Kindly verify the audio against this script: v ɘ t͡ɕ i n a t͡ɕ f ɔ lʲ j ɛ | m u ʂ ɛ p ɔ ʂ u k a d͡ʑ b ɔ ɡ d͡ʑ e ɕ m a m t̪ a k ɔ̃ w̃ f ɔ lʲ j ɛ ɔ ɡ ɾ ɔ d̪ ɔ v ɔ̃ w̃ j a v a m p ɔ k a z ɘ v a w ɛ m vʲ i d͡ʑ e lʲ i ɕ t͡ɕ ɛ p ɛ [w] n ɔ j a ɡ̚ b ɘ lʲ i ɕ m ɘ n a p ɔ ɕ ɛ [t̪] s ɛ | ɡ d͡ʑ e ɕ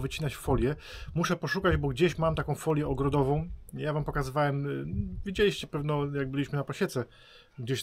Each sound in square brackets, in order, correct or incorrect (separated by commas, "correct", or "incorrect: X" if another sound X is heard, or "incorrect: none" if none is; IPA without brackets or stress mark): incorrect: v, correct